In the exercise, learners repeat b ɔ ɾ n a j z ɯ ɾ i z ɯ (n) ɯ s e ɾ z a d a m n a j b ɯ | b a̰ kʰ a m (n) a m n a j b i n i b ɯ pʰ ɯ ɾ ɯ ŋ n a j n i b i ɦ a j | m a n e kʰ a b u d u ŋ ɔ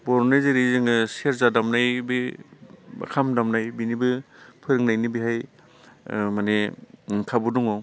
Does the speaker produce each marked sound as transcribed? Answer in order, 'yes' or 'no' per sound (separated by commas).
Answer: no, no